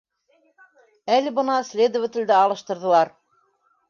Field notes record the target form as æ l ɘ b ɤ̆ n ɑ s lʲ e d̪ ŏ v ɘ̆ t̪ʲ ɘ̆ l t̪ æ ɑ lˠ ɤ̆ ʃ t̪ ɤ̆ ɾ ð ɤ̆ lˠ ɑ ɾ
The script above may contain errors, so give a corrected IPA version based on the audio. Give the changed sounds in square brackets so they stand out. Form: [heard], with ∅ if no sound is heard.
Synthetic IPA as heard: æ l ɘ b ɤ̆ n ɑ s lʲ e d̪ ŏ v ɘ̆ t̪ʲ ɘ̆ l [d̪] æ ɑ lˠ ɤ̆ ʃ t̪ ɤ̆ ɾ ð ɤ̆ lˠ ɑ ɾ